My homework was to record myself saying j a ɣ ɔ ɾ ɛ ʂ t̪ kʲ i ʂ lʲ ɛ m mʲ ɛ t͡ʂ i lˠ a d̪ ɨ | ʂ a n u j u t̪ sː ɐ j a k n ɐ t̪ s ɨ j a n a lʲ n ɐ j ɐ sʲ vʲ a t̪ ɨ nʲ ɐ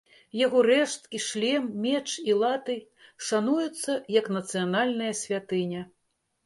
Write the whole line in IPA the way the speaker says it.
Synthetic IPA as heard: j a ɣ ɔ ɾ ɛ ʂ t̪ kʲ i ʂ lʲ ɛ m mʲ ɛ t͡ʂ i lˠ a t̪ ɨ | ʂ a n u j u t̪ sː ɐ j ɐ k n ɐ t̪ s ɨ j a n a lʲ n ɐ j ɐ sʲ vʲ a t̪ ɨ nʲ ɐ